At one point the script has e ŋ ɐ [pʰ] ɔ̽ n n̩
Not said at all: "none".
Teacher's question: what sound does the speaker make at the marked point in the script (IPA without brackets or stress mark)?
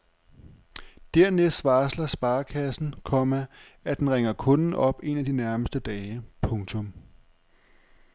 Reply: kʰ